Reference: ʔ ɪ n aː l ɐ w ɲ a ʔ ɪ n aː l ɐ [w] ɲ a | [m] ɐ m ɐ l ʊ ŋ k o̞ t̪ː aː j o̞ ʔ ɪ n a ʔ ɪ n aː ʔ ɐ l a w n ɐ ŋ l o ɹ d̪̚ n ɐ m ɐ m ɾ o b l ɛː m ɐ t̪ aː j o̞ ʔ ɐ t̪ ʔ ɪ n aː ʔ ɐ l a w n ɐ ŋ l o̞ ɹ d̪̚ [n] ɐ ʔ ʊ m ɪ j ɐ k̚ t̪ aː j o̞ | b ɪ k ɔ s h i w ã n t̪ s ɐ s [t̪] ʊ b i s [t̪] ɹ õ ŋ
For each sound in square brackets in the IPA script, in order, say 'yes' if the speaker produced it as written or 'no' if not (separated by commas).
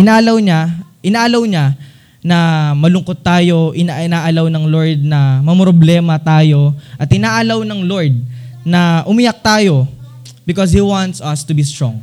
yes, no, yes, yes, yes